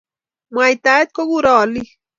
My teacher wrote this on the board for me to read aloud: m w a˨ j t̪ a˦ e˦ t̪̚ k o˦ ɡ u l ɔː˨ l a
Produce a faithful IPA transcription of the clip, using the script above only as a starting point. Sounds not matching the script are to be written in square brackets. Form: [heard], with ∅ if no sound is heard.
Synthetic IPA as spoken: m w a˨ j t̪ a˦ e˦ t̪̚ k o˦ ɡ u [ɾ] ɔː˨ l [i]